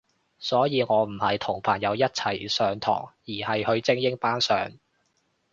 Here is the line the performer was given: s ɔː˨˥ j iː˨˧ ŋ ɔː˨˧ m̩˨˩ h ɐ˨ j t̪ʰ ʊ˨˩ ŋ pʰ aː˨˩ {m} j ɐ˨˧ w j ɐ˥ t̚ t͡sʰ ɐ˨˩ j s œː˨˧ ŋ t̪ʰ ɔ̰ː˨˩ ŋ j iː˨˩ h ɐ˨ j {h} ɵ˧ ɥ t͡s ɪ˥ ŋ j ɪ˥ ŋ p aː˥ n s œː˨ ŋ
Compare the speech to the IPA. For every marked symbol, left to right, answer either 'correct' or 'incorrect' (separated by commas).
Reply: incorrect, correct